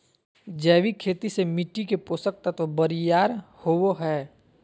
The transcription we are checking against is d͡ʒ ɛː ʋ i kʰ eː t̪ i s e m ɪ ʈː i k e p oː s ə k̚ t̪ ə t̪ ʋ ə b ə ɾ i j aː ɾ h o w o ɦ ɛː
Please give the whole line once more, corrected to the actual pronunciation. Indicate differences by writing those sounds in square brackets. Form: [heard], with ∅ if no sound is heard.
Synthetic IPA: d͡ʒ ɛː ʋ i kʰ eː t̪ i s e m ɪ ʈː i k e p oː s ə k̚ t̪ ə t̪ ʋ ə b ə ɾ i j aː ɾ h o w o ɦ ɛː